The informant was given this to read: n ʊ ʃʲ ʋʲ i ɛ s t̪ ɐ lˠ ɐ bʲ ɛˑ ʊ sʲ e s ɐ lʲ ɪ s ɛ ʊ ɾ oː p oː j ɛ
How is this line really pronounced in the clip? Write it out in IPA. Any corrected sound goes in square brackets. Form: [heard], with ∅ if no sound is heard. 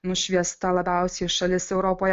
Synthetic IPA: n ʊ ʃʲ ʋʲ i ɛ s t̪ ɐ lˠ ɐ bʲ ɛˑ ʊ sʲ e [ʃ] ɐ lʲ ɪ s ɛ ʊ ɾ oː p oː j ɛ